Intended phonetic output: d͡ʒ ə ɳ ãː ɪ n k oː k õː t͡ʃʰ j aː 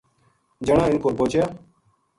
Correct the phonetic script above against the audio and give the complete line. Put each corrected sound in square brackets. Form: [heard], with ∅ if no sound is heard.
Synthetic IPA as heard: d͡ʒ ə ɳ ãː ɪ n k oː [p] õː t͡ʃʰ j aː